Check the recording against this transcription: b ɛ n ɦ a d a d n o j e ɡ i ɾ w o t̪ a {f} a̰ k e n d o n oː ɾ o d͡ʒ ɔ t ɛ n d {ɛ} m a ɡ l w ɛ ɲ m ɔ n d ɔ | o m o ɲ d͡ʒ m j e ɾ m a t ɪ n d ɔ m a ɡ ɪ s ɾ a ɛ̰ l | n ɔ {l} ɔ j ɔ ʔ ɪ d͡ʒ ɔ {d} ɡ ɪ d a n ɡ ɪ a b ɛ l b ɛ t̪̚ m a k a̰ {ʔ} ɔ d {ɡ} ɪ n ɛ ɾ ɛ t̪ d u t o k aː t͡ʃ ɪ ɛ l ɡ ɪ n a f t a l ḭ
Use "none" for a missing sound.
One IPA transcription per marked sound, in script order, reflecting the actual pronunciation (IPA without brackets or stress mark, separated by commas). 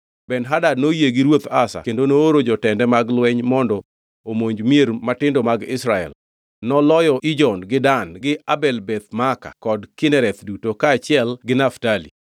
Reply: s, ɛ, l, n, k, k